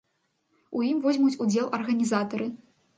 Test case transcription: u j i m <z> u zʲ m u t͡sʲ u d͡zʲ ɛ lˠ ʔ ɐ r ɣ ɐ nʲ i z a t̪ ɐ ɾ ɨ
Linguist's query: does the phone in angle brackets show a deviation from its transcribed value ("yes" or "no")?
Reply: yes